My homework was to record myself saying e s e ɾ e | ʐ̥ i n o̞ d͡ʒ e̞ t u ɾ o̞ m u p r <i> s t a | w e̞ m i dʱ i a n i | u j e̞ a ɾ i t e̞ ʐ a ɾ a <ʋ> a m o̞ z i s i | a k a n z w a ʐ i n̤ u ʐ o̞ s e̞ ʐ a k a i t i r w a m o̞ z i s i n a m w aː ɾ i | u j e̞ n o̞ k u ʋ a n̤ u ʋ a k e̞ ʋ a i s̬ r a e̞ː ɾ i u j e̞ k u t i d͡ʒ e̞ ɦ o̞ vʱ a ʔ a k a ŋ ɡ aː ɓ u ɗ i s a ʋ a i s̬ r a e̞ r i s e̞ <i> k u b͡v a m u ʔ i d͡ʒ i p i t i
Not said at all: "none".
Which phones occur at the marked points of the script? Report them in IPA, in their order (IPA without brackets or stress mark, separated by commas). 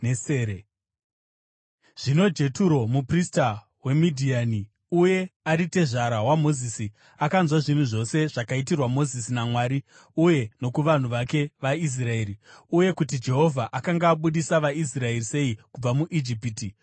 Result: i, w, i